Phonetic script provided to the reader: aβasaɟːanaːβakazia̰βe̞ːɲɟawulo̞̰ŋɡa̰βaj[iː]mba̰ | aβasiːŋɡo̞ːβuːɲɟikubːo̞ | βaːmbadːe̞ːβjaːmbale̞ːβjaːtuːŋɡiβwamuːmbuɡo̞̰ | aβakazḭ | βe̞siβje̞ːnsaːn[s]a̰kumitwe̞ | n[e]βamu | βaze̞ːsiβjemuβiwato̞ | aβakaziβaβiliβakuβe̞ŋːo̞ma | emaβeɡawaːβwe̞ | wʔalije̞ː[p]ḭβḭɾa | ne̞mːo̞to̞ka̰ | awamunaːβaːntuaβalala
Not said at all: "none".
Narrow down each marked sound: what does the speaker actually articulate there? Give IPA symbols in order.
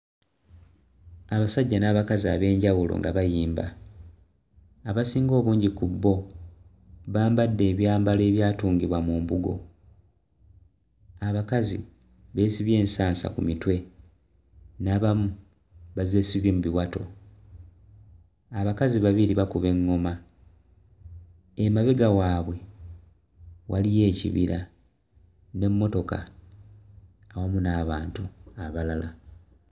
iː, s, a, c

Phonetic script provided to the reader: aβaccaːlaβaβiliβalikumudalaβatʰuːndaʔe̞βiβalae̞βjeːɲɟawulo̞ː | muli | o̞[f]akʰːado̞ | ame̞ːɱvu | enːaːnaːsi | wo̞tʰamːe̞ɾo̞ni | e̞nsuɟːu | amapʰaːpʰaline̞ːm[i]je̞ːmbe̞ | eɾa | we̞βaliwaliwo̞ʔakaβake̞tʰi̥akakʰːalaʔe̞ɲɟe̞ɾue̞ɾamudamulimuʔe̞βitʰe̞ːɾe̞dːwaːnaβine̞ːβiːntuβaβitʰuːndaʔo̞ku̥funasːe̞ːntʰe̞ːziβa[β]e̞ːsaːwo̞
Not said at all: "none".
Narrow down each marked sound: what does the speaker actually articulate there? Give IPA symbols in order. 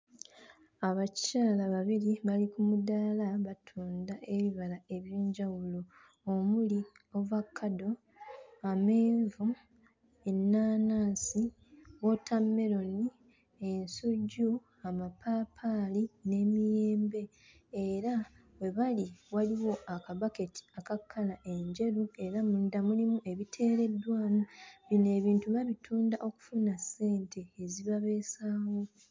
v, i, β

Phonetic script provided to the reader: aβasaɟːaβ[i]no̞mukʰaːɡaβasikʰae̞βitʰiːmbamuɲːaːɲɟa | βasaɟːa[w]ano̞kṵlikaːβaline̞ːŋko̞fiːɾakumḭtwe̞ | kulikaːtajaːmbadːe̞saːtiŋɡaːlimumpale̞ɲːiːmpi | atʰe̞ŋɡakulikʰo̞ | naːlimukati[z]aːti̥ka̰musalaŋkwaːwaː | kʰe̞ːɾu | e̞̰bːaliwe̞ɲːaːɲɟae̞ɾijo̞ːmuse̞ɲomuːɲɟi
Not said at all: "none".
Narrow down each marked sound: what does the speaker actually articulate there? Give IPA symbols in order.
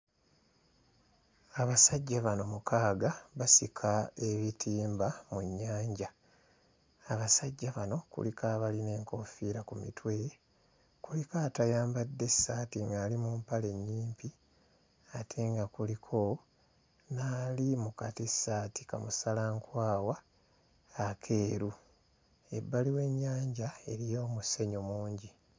a, β, s

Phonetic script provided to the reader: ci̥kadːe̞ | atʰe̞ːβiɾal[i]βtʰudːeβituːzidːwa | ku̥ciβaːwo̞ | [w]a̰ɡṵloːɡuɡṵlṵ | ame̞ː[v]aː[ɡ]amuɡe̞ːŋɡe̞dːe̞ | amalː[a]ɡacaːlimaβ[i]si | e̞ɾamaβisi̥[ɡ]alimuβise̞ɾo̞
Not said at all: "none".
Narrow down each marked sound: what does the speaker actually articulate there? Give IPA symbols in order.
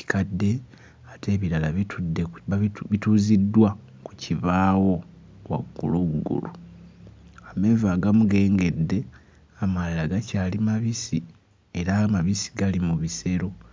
a, w, v, ɡ, a, i, ɡ

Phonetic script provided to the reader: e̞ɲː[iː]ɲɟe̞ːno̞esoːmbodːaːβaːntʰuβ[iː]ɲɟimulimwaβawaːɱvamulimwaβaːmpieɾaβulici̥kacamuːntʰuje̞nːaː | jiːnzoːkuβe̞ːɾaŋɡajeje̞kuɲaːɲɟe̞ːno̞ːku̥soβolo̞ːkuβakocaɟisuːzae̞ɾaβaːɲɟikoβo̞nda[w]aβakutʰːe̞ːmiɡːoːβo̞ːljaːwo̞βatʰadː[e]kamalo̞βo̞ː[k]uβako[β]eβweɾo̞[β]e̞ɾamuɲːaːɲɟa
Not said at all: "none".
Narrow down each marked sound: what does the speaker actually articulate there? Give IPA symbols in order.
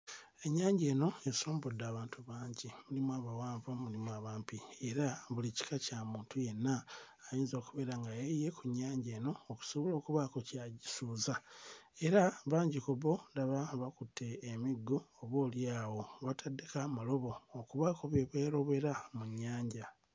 aː, aː, β, e, k, β, β

